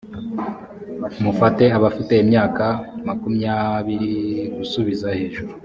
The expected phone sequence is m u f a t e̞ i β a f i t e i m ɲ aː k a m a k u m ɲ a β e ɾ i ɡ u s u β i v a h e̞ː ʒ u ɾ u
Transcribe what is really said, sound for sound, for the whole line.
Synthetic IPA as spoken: m u f a t e̞ a β a f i t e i m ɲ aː k a m a k u m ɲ a β i ɾ i ɡ u s u β i z a h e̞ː ʒ u ɾ u